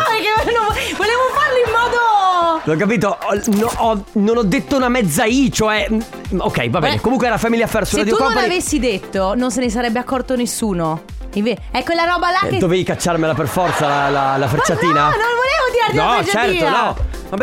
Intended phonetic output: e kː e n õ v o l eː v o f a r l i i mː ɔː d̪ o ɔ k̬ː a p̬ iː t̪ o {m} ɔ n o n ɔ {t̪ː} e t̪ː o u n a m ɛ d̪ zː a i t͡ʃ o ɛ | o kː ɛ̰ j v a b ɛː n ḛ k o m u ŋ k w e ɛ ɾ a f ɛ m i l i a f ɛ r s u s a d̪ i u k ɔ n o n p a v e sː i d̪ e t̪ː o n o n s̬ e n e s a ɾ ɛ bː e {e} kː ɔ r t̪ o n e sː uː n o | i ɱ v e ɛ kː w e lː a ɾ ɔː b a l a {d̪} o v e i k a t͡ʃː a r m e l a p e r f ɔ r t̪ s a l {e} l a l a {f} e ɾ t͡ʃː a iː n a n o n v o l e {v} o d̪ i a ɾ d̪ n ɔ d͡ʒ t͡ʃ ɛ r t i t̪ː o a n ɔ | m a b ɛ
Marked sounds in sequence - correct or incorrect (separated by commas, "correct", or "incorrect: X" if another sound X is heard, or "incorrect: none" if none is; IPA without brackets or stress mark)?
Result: incorrect: n, incorrect: d̪ː, incorrect: a, correct, incorrect: a, correct, correct